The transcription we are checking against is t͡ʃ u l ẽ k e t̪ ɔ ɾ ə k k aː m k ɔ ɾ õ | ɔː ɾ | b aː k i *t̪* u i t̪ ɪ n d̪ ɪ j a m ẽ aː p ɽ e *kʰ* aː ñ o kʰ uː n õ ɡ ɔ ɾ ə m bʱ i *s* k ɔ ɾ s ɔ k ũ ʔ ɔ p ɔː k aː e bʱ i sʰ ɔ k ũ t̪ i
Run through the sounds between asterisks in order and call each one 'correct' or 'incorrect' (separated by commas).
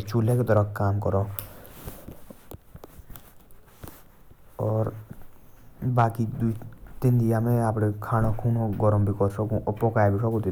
incorrect, correct, incorrect